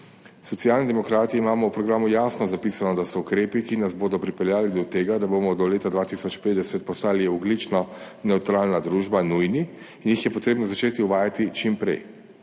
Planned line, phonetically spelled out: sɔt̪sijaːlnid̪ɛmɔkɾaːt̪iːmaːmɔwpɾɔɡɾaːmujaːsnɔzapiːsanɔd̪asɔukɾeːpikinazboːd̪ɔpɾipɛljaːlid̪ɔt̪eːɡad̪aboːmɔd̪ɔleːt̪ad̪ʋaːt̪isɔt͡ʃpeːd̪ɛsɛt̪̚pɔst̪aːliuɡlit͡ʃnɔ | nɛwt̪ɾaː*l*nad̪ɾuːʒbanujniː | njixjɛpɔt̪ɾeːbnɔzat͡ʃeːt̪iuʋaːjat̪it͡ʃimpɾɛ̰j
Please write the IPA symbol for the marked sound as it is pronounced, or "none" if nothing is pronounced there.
l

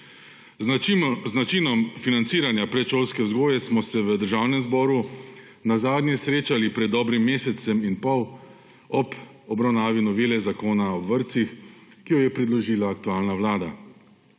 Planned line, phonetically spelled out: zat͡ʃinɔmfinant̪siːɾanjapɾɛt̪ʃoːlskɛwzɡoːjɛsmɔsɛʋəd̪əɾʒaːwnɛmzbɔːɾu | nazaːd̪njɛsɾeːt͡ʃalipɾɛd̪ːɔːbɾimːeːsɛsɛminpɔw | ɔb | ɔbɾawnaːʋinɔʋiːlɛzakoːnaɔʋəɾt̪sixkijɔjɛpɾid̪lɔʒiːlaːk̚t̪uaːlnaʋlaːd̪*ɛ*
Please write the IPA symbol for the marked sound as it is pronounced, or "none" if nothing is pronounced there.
a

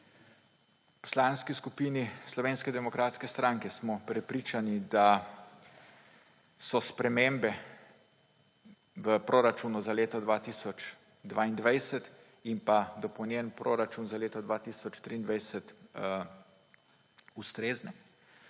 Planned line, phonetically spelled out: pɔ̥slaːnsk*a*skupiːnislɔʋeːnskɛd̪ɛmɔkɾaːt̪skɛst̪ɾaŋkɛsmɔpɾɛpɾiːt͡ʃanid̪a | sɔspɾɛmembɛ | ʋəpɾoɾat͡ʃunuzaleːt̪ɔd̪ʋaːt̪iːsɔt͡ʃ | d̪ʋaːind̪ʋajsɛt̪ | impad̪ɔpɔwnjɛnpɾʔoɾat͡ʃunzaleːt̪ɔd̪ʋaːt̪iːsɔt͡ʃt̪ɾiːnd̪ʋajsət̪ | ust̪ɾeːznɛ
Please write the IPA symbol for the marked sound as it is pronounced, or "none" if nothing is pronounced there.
i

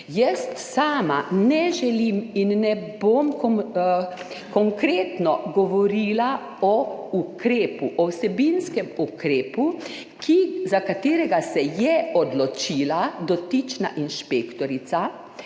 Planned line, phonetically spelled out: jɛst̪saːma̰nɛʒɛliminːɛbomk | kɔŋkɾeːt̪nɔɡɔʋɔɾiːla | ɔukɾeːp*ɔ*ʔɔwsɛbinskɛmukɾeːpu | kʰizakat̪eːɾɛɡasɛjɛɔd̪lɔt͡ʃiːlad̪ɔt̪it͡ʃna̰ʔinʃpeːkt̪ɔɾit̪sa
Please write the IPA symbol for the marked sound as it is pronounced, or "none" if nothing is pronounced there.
u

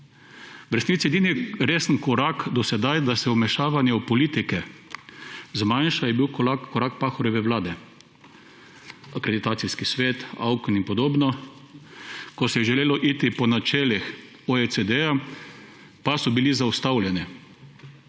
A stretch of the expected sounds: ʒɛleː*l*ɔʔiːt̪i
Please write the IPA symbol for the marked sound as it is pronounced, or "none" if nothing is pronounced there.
l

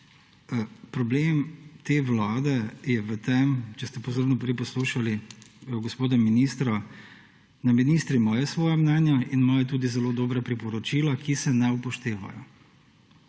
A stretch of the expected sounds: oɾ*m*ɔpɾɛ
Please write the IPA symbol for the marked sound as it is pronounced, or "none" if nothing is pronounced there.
n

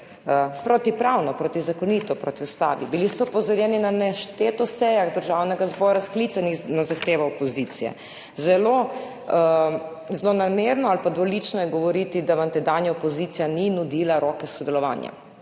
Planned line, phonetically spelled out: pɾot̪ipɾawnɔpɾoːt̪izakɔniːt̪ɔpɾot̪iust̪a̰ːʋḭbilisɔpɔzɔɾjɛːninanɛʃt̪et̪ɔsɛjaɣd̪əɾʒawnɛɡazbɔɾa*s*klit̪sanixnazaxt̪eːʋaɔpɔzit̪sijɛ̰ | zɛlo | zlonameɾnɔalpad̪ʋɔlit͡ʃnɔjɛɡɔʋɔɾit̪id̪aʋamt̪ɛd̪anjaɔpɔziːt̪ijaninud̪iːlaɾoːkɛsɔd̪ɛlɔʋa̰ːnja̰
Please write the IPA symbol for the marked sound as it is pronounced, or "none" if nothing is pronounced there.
s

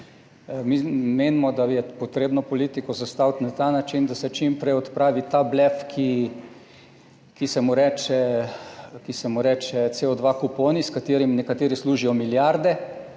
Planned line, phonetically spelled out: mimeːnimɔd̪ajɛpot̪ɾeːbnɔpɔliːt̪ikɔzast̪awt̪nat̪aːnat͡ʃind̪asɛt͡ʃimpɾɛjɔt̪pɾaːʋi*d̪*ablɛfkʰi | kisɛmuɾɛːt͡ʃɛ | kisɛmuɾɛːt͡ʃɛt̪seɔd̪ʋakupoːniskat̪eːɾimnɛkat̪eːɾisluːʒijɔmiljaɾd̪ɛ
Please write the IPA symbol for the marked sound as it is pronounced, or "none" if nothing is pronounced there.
t̪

